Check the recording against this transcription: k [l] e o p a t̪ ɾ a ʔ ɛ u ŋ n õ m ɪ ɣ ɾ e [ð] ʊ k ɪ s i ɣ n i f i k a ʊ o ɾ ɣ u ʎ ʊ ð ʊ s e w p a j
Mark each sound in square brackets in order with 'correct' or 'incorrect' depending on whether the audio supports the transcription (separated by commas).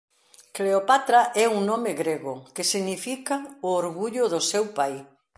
correct, incorrect